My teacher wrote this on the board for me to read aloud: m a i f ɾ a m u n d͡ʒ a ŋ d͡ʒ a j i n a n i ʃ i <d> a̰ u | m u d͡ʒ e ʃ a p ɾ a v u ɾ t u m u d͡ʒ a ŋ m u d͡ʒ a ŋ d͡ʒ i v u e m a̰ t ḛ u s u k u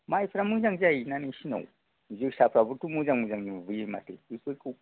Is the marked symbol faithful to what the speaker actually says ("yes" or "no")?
no